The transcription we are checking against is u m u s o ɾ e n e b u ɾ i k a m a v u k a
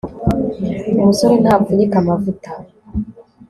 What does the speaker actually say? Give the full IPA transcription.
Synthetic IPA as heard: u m u s o ɾ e n a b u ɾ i k a m a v u t a